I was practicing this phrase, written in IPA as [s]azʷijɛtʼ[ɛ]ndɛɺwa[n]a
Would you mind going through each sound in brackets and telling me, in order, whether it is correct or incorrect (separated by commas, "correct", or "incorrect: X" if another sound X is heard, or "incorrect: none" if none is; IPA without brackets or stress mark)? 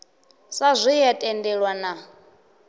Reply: correct, correct, correct